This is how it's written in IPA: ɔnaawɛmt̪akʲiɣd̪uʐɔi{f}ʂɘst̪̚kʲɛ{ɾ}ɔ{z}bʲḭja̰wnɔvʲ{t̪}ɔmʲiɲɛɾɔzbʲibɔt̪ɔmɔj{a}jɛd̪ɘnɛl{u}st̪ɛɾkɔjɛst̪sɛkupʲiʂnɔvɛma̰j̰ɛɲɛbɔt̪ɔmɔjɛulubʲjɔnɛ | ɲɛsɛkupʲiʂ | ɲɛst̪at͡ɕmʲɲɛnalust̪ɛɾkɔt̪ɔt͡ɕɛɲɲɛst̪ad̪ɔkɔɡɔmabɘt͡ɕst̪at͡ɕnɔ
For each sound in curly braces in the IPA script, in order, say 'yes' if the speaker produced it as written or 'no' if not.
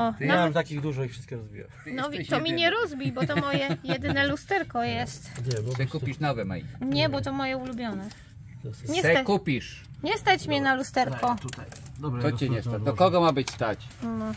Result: yes, yes, yes, yes, no, yes

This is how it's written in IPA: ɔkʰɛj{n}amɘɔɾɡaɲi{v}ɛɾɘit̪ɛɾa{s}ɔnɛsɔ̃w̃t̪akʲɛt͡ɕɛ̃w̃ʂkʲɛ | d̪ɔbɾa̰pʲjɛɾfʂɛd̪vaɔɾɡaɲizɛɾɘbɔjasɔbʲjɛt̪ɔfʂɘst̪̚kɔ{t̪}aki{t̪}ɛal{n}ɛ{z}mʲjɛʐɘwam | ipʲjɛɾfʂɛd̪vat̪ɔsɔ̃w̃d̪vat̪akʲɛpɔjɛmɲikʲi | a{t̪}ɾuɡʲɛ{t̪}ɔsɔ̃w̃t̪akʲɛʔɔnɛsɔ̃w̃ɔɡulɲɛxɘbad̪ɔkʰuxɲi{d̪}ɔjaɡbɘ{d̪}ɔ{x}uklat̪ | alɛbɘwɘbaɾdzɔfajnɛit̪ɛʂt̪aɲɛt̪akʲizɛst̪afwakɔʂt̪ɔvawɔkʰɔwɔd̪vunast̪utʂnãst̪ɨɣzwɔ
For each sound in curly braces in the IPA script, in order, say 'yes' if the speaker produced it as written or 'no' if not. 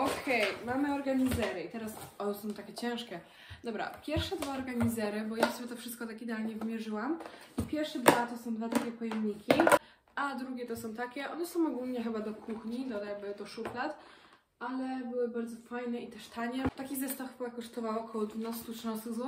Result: no, no, yes, yes, no, no, no, no, yes, yes, yes, no

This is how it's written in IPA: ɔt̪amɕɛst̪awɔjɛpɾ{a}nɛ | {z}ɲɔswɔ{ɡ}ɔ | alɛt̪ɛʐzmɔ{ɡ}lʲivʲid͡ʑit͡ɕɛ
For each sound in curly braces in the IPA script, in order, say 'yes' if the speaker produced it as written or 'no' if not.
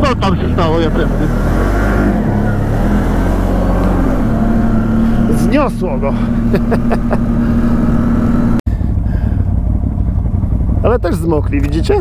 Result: no, yes, yes, no

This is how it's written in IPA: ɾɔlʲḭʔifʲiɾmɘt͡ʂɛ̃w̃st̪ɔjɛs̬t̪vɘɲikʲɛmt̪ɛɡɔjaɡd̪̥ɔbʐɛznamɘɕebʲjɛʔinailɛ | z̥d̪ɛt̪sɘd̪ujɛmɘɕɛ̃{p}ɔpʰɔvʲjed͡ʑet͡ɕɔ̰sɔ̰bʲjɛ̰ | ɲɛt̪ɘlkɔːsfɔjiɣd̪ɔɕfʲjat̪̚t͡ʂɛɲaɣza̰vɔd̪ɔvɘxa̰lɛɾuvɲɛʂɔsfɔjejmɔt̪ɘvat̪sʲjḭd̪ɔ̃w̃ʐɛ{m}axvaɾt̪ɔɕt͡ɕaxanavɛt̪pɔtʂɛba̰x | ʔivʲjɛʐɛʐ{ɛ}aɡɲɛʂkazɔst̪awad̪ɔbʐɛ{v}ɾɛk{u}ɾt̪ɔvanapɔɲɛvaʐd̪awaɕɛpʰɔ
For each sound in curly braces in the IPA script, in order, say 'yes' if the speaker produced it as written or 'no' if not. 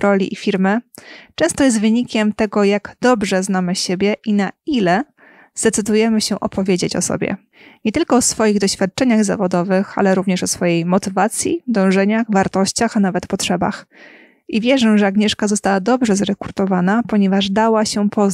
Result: no, no, yes, no, yes

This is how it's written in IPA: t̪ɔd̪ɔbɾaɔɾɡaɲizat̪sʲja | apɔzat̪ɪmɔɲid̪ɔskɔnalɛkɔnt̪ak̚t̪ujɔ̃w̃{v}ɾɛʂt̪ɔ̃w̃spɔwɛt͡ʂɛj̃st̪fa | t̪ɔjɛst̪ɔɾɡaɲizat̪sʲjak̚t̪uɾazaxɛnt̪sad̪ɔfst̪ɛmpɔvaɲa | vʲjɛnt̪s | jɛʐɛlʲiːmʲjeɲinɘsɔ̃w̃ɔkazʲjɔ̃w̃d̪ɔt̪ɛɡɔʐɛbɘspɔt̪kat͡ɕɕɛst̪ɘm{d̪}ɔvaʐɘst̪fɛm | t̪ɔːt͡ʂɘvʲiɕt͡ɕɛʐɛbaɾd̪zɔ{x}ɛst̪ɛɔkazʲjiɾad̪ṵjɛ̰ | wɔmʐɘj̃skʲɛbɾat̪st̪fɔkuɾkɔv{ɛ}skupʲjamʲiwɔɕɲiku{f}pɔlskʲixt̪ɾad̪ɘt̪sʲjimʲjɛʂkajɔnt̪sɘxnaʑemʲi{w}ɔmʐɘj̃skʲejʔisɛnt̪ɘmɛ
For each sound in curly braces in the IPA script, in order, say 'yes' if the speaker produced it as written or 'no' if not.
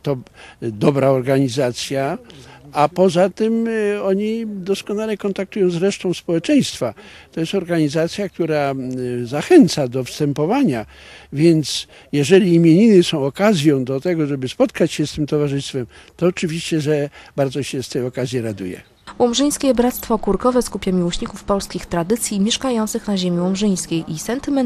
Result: no, no, no, yes, yes, yes

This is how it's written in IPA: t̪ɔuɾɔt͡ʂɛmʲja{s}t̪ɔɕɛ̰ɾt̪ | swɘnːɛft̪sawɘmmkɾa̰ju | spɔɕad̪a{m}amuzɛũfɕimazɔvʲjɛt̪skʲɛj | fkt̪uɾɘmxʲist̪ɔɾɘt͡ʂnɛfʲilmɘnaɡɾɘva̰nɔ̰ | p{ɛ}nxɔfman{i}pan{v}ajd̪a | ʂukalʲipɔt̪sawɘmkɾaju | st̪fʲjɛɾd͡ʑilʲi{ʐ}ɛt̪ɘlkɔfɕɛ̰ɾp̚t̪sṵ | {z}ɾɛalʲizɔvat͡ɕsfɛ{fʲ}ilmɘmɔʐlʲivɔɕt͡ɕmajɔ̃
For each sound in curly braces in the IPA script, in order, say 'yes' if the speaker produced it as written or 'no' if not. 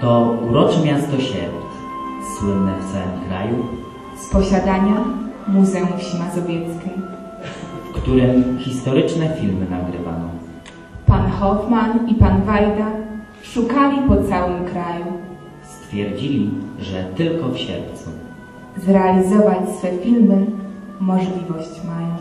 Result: yes, no, no, yes, yes, yes, yes, yes

